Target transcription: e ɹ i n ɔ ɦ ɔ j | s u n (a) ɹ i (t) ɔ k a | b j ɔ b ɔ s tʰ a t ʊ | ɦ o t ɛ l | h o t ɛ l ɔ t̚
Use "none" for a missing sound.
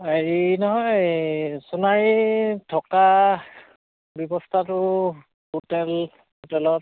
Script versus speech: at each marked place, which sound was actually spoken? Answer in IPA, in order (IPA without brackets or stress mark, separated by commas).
a, tʰ